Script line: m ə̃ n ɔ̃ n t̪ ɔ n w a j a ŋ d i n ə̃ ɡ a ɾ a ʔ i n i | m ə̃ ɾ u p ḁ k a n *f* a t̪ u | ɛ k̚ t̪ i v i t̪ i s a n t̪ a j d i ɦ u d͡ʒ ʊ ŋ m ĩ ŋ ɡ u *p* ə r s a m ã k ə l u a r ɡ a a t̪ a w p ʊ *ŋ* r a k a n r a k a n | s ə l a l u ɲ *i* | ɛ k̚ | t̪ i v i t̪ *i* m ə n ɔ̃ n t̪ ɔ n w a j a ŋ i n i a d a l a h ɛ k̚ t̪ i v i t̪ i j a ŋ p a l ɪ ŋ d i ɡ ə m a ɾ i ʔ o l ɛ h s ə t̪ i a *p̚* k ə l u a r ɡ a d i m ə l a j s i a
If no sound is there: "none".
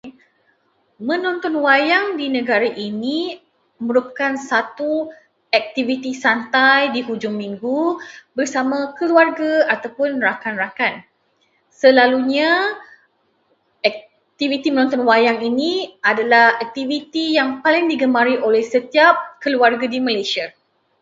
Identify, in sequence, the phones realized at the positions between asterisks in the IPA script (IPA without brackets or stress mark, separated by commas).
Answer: s, b, n, a, i, p̚